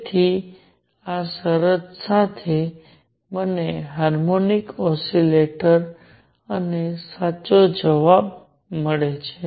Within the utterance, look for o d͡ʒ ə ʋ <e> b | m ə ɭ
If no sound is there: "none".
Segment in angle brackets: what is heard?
a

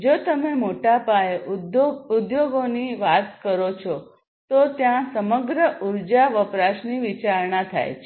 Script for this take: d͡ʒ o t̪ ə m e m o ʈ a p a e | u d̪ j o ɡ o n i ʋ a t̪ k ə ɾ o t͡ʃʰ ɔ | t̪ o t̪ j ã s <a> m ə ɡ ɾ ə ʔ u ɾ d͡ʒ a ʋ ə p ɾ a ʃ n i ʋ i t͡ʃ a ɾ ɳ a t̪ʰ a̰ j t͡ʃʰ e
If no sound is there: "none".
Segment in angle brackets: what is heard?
ə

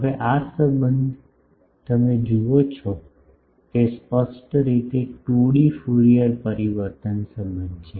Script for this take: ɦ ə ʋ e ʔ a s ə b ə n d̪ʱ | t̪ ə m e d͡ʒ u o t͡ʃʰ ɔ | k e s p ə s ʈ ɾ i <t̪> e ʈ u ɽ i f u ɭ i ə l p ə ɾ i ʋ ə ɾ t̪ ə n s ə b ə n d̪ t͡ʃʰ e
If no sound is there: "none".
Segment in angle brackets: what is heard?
t̪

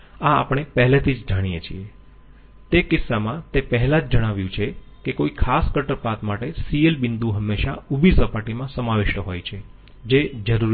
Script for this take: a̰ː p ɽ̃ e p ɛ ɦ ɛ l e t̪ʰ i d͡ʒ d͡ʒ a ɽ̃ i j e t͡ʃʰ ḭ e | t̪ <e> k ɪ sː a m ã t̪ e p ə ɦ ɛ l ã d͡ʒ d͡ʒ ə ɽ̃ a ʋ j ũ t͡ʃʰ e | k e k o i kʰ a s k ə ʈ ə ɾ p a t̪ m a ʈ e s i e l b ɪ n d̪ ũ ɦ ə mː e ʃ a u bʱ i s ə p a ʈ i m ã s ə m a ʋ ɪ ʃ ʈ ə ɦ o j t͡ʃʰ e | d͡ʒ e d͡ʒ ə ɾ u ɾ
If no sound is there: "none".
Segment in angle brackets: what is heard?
e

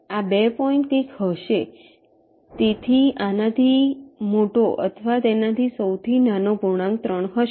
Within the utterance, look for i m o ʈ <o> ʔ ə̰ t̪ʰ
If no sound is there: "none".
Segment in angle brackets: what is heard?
o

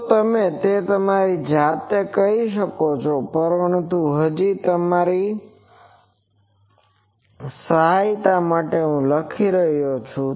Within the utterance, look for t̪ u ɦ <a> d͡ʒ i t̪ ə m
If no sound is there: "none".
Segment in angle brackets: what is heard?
ə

